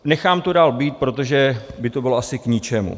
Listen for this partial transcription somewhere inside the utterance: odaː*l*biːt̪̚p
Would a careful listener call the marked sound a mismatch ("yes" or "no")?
no